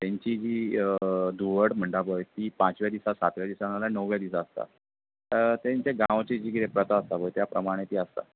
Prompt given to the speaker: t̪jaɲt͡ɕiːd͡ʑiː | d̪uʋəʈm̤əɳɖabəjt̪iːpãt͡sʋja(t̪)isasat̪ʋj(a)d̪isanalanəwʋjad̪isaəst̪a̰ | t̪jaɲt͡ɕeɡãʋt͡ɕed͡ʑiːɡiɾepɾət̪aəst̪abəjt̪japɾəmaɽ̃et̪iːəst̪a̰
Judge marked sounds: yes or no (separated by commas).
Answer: no, yes